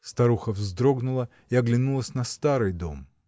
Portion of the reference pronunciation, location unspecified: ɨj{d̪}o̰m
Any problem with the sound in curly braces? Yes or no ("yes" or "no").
no